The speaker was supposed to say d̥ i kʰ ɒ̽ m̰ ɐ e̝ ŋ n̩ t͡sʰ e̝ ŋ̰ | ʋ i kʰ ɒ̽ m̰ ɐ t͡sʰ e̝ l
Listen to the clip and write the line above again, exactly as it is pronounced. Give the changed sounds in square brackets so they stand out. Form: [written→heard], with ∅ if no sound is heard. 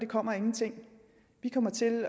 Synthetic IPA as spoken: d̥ [i→e] kʰ ɒ̽ m̰ ɐ e̝ ŋ n̩ t͡sʰ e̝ ŋ̰ | ʋ i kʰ ɒ̽ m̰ ɐ t͡sʰ e̝ l

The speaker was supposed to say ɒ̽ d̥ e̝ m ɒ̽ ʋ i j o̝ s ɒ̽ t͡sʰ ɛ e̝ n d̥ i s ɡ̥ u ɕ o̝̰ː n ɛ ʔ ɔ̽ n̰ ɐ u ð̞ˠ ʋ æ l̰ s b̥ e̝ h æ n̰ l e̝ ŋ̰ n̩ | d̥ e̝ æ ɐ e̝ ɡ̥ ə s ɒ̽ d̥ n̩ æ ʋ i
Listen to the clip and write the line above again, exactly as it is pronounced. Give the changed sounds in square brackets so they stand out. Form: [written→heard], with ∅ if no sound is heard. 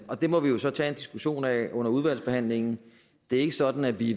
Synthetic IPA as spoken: ɒ̽ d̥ e̝ m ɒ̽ ʋ i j o̝ s ɒ̽ t͡sʰ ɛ e̝ n d̥ i s ɡ̥ u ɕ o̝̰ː n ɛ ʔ ɔ̽ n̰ ɐ u ð̞ˠ ʋ æ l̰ s b̥ e̝ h æ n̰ l e̝ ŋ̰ n̩ | d̥ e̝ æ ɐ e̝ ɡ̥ ə s ɒ̽ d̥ n̩ æ ʋ i

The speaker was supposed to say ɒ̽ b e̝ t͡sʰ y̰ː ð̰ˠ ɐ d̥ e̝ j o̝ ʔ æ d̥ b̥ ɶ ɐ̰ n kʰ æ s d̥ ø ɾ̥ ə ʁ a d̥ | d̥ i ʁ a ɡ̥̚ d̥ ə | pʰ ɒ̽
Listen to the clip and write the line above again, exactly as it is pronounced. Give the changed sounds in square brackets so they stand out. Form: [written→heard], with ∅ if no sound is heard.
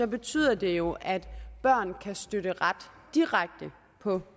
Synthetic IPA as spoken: ɒ̽ b e̝ t͡sʰ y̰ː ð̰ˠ ɐ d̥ e̝ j o̝ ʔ æ d̥ b̥ ɶ ɐ̰ n kʰ æ s d̥ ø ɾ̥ ə ʁ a d̥ | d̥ i ʁ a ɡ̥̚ d̥ ə | pʰ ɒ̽

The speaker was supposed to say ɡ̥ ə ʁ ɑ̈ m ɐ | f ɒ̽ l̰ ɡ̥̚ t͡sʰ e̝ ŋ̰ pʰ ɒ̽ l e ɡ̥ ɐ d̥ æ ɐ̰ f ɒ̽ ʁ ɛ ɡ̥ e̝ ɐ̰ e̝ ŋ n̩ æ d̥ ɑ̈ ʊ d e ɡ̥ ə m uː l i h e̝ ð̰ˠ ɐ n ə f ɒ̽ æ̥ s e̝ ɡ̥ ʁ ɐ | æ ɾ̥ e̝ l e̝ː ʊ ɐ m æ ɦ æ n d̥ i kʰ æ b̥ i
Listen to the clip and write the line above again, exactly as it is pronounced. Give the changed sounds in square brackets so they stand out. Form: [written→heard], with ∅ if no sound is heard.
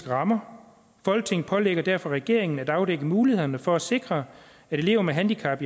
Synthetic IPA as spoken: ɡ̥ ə ʁ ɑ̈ m ɐ | f ɒ̽ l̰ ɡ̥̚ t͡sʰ e̝ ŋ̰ pʰ ɒ̽ l e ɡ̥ ɐ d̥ æ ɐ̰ f ɒ̽ ʁ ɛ ɡ̥ e̝ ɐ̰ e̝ ŋ n̩ æ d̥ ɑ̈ ʊ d e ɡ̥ ə m uː l i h e̝ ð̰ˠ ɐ n ə f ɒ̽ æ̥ s e̝ ɡ̥ ʁ ɐ | æ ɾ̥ e̝ l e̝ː ʊ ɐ m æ ɦ æ n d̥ i kʰ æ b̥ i

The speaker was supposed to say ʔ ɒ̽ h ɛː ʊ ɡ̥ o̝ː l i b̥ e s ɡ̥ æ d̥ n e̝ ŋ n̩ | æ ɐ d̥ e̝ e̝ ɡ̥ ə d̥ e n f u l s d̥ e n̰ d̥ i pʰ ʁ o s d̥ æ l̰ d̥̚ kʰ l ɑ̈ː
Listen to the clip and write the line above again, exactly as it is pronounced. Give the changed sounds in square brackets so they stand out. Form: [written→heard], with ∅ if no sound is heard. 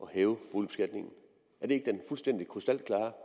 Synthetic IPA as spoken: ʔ ɒ̽ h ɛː ʊ [ɡ̥→b̥] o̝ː l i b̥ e s ɡ̥ æ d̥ n e̝ ŋ n̩ | æ ɐ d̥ e̝ e̝ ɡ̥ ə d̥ e n f u l s d̥ e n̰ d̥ i [pʰ→kʰ] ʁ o s d̥ æ l̰ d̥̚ kʰ l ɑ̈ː

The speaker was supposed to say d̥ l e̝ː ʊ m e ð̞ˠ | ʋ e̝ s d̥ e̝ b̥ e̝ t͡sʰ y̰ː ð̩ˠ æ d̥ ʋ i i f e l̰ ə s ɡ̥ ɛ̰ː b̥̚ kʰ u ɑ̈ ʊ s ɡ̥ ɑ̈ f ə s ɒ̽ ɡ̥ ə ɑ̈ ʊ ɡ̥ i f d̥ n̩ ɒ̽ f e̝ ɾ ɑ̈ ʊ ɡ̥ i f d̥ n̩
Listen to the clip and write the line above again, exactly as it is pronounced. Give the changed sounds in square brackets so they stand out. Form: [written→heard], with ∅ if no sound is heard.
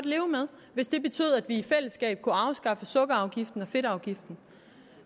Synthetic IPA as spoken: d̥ l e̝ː ʊ m e ð̞ˠ | ʋ e̝ s d̥ e̝ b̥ e̝ t͡sʰ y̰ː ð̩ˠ æ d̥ ʋ i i f e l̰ ə s ɡ̥ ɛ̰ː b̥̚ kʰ u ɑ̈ ʊ s ɡ̥ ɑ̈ f ə s [ɒ̽→ɔ̽] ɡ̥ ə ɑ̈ ʊ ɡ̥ i f d̥ n̩ ɒ̽ f e̝ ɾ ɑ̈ ʊ ɡ̥ i f d̥ n̩

